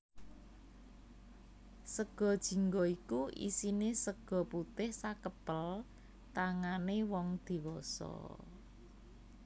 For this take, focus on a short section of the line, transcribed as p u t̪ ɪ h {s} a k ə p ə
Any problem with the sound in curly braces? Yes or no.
no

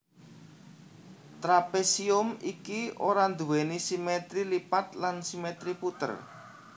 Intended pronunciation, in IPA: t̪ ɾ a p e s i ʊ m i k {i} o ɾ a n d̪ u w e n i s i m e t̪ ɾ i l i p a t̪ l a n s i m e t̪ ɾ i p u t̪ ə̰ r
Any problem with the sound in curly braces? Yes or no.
no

